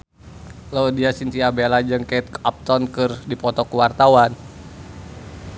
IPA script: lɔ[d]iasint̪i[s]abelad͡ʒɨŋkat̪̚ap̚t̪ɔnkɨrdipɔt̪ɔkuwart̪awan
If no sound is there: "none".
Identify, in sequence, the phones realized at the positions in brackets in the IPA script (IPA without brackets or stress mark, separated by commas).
d, none